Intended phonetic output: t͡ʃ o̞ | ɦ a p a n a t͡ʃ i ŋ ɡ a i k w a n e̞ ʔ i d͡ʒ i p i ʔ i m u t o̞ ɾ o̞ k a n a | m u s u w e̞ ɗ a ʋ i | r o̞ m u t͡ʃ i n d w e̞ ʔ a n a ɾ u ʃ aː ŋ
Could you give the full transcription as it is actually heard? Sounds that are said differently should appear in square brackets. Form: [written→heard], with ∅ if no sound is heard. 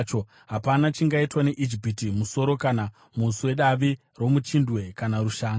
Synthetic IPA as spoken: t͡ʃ o̞ | ɦ a p a n a t͡ʃ i ŋ ɡ a i [k→t] w a n e̞ ʔ i d͡ʒ i p i [ʔ→t] i m u [t→s] o̞ ɾ o̞ k a n a | m u s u w e̞ ɗ a ʋ i | r o̞ m u t͡ʃ i n d w e̞ [ʔ→k] a n a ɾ u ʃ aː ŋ